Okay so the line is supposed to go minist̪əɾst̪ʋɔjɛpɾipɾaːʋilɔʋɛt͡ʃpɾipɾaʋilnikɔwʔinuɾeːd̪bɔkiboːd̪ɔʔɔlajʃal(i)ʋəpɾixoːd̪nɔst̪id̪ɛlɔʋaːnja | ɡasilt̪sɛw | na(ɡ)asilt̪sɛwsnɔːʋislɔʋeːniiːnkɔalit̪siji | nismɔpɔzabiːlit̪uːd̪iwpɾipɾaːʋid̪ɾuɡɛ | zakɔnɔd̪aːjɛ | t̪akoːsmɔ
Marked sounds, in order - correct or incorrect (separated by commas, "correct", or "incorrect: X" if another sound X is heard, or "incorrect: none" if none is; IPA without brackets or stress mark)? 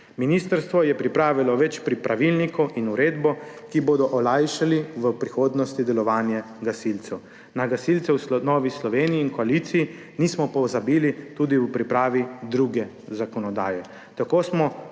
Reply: correct, correct